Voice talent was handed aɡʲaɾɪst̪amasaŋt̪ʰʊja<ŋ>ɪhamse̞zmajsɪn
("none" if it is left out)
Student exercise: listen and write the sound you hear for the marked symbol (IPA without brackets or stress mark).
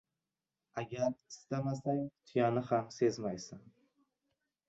n